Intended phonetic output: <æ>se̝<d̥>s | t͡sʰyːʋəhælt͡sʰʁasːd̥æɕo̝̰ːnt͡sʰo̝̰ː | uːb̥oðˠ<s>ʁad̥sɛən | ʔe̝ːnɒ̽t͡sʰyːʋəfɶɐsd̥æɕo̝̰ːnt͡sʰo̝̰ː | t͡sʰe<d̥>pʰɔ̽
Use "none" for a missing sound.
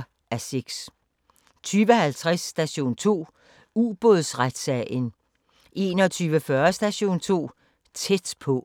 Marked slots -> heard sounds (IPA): æ, ɡ̥, s, d̥

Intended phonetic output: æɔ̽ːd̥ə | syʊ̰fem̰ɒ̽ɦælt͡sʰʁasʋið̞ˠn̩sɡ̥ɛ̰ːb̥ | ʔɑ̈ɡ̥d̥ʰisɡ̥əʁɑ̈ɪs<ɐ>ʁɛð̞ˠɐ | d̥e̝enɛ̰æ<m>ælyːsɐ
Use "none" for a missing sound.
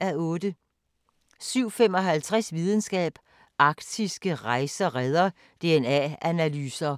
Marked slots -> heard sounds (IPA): ɐ, n

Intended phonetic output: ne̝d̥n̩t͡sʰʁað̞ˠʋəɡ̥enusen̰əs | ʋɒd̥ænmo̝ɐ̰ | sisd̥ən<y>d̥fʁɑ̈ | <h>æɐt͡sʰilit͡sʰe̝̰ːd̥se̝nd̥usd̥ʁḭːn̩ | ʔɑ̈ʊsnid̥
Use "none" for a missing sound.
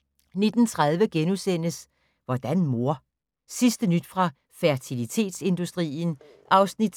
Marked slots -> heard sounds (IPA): y, f

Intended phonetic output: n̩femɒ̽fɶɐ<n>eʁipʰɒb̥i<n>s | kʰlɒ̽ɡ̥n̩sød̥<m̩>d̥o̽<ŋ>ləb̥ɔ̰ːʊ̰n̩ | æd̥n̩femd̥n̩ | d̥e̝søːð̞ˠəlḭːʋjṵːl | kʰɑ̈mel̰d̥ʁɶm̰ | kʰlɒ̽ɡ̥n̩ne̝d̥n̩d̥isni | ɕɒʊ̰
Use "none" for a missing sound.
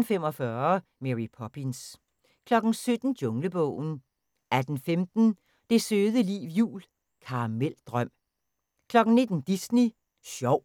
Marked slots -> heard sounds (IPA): m, n, n̩, ŋ

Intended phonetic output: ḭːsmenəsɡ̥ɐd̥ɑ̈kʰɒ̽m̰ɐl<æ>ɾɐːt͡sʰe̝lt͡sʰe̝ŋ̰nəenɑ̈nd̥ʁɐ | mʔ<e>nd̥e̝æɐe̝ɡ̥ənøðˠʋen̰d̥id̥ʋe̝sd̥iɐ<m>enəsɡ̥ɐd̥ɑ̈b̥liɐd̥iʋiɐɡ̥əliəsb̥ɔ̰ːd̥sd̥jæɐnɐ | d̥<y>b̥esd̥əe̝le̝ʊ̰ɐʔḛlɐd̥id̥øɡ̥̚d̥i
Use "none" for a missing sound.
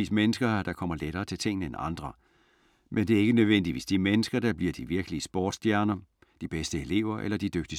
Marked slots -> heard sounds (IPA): e, e, m, i

